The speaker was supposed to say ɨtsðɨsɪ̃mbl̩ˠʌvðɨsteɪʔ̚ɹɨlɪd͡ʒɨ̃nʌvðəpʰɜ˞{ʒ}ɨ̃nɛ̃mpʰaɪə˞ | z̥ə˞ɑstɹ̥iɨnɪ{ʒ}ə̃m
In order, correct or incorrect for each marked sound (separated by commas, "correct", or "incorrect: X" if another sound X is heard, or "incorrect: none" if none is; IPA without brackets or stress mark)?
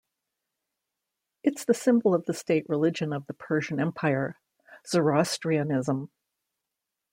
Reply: correct, incorrect: z